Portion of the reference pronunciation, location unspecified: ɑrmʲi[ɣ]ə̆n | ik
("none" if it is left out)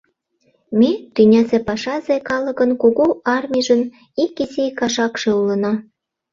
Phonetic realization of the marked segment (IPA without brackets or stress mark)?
ʒ